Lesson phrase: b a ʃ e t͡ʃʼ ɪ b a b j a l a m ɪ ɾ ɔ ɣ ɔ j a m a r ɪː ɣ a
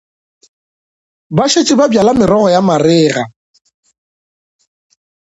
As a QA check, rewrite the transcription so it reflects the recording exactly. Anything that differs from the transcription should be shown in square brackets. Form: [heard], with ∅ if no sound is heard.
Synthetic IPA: b a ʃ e t͡ʃʼ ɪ b a b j a l a m ɪ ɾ ɔ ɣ ɔ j a m a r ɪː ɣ a